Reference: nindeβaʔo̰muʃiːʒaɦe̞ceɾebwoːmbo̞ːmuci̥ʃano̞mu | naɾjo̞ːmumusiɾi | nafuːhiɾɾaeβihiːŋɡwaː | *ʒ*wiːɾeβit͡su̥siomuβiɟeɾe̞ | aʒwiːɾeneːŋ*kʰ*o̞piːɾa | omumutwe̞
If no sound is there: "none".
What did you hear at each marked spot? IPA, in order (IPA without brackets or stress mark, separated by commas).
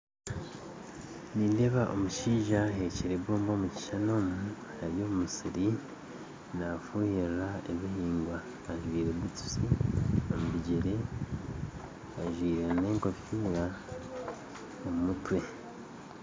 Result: ʒ, k